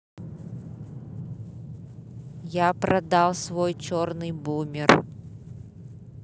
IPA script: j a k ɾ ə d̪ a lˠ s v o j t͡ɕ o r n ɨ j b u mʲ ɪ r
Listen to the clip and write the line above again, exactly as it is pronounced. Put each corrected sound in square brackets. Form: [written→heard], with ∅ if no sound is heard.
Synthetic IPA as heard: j a [k→p] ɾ [ə→ɐ] d̪ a lˠ s v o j t͡ɕ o r n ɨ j b u mʲ ɪ r

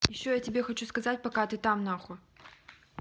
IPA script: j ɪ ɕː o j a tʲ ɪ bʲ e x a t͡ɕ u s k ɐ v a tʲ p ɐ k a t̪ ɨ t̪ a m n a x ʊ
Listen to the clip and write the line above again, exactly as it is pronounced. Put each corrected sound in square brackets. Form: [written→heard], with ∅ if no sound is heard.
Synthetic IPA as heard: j ɪ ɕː o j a tʲ ɪ bʲ e x [a→ɐ] t͡ɕ u s k ɐ [v→z] a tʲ p ɐ k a t̪ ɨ t̪ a m n a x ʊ

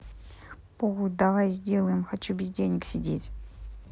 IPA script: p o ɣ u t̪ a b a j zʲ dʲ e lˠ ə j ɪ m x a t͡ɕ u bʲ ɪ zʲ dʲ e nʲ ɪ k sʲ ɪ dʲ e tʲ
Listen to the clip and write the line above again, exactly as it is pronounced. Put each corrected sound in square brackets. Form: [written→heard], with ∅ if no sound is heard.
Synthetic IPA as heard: p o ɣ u [t̪→d̪] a [b→v] a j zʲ dʲ e lˠ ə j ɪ m x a t͡ɕ u bʲ ɪ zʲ dʲ e nʲ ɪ k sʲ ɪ dʲ e tʲ

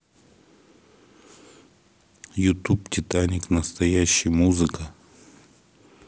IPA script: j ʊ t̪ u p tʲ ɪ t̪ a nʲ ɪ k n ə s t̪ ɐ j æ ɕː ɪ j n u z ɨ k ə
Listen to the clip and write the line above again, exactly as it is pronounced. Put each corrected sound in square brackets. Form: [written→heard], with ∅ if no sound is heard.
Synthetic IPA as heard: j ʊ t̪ u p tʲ ɪ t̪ a nʲ ɪ k n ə s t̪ ɐ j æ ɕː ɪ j [n→m] u z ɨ k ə

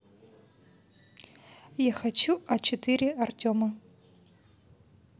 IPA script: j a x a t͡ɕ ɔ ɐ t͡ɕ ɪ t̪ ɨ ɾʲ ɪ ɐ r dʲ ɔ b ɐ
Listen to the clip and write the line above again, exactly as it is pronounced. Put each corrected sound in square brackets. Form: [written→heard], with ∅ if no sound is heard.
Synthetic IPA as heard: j a x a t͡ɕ [ɔ→u] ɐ t͡ɕ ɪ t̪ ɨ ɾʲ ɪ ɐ r [dʲ→tʲ] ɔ [b→m] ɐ

